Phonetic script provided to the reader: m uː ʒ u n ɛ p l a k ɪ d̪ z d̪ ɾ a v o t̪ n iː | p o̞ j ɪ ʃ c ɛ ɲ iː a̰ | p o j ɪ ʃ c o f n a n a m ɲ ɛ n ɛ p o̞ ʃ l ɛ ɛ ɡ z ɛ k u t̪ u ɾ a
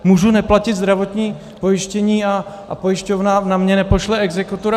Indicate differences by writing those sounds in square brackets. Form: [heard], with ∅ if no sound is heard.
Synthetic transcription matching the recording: m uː ʒ u n ɛ p l a [c] ɪ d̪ z d̪ ɾ a v o t̪ [ɲ] iː | p o̞ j ɪ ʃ c ɛ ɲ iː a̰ | p o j ɪ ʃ c o [v] n a n a m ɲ ɛ n ɛ p o̞ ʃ l ɛ ɛ ɡ z ɛ k u t̪ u ɾ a